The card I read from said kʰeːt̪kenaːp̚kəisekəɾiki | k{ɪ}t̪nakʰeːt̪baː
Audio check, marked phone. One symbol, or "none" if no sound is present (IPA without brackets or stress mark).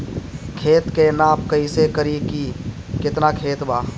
ɪ